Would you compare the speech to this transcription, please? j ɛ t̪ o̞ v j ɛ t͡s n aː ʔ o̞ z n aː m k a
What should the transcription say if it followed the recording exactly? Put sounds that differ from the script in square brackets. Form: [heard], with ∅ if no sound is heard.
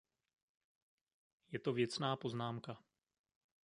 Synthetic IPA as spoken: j ɛ t̪ o̞ v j ɛ t͡s n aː [p] o̞ z n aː m k a